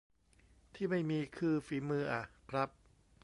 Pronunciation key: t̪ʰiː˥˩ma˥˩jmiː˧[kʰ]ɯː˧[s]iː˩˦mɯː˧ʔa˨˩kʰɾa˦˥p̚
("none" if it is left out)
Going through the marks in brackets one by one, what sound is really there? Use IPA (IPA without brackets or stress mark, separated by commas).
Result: kʰ, f